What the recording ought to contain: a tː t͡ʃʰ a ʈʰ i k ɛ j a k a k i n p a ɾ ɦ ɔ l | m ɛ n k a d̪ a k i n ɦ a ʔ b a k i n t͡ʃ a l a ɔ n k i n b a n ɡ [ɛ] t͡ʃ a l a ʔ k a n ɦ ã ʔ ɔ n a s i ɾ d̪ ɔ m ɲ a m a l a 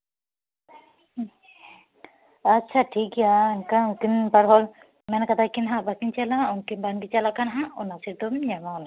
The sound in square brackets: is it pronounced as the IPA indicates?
no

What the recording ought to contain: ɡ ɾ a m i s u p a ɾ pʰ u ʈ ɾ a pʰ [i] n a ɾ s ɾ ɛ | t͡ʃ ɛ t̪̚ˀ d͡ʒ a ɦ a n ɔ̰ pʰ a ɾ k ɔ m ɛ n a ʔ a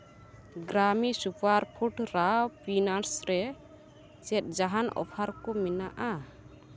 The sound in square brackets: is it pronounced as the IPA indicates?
yes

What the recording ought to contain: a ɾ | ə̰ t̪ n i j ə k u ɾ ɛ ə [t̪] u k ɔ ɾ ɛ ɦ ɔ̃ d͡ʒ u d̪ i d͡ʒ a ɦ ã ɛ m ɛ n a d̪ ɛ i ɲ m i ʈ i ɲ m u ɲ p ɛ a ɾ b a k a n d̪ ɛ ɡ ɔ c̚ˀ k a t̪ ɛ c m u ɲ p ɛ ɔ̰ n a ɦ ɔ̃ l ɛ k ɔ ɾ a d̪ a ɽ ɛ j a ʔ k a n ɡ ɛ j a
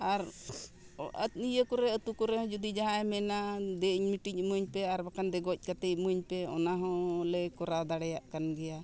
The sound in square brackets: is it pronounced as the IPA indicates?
yes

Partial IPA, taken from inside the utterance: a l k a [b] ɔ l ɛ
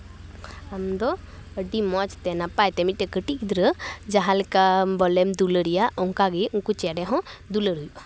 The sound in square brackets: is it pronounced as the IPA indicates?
yes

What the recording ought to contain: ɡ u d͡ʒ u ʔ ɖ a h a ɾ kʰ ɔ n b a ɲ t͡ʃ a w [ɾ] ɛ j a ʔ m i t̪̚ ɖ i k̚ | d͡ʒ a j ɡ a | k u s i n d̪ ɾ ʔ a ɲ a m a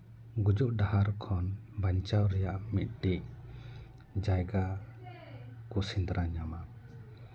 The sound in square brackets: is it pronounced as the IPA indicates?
yes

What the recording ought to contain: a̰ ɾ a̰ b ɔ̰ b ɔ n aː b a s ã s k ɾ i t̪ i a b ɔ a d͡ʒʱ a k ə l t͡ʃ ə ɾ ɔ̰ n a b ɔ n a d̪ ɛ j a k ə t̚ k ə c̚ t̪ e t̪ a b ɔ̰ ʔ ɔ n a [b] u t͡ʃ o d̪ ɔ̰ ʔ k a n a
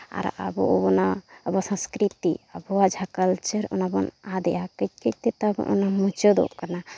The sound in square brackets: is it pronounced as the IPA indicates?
no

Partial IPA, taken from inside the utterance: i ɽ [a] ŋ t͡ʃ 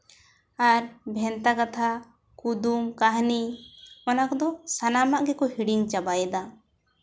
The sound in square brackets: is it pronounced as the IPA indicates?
no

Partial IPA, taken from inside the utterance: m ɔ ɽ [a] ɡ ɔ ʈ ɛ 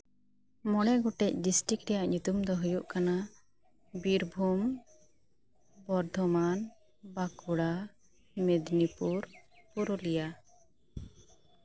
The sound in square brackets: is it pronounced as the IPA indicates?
no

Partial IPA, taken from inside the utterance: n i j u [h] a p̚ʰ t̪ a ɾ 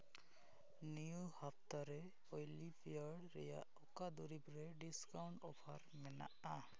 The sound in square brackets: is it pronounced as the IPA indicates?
yes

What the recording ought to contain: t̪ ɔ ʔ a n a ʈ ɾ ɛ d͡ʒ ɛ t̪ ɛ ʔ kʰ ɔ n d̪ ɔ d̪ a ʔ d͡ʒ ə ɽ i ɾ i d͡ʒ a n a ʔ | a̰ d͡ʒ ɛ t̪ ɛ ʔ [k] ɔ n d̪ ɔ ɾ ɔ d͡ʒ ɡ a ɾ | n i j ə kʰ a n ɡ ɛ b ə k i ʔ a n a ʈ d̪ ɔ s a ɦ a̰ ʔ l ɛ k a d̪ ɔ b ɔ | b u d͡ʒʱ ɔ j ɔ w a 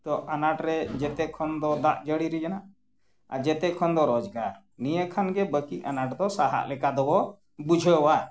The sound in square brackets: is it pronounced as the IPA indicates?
no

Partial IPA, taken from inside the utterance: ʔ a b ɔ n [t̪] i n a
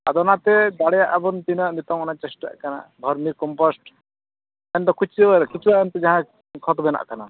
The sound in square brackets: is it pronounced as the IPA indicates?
yes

